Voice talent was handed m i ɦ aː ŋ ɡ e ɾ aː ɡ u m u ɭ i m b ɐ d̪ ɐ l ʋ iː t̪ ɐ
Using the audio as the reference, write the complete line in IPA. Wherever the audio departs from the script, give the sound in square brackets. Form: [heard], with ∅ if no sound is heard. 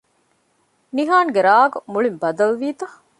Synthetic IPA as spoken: [n] i ɦ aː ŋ ɡ e ɾ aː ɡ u m u ɭ i m b ɐ d̪ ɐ l ʋ iː t̪ ɐ